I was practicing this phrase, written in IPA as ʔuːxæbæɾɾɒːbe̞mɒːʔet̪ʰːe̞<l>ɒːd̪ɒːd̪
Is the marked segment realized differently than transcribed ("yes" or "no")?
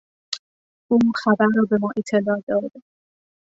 no